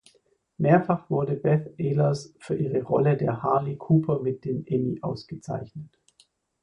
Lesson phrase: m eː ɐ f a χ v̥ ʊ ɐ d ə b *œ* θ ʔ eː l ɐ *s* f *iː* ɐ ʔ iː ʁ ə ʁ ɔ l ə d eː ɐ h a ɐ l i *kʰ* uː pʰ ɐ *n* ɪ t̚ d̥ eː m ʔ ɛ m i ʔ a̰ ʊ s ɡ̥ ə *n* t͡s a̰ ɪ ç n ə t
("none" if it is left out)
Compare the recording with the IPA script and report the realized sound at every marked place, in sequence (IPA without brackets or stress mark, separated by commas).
ɛ, s, yː, kʰ, m, none